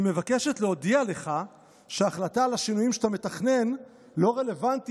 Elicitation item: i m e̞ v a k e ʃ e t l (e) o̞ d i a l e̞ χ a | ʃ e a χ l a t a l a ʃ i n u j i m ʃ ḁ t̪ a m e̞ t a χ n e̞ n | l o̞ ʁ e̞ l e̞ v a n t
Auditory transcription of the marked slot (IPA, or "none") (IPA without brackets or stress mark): e